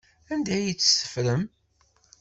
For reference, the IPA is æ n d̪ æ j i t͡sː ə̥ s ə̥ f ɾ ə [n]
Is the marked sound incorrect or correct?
incorrect